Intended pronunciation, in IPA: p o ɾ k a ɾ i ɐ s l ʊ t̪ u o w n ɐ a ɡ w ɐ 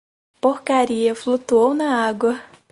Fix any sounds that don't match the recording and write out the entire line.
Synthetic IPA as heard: p o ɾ k a ɾ i ɐ f l u t̪ u o w n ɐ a ɡ w ɐ